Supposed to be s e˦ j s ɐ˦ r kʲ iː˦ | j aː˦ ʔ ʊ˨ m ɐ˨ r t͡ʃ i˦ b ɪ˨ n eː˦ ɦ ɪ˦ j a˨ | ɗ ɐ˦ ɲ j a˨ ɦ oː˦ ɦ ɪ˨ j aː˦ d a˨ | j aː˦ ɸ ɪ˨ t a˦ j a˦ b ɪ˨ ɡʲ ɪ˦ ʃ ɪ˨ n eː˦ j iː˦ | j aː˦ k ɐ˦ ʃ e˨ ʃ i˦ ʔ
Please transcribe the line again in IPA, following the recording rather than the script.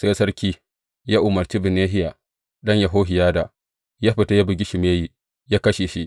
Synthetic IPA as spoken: s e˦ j s ɐ˦ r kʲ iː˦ | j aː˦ ʔ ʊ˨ m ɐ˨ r t͡ʃ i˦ b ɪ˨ n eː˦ ɦ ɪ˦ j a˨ | ɗ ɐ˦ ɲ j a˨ ɦ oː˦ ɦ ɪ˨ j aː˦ d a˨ | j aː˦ ɸ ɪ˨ t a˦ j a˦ b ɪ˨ ɡʲ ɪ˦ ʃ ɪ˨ m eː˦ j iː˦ | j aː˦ k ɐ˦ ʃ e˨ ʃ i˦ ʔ